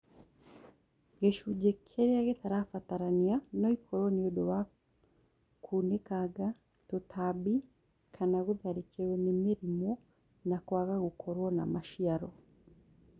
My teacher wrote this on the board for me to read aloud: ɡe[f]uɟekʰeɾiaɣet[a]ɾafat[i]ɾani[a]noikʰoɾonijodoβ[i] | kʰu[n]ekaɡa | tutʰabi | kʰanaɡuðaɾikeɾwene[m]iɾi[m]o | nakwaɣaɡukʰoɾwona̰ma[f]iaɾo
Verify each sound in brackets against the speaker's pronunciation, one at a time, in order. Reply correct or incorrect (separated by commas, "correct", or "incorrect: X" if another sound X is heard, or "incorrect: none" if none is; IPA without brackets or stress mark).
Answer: incorrect: ʃ, correct, incorrect: a, correct, incorrect: a, correct, correct, correct, incorrect: ʃ